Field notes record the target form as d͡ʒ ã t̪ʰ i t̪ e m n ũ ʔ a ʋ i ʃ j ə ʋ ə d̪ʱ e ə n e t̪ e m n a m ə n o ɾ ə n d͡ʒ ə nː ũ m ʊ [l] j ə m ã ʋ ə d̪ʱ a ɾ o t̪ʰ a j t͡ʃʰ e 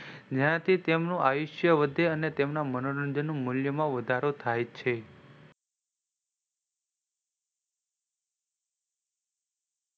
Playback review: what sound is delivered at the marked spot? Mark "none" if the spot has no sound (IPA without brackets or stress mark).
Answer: l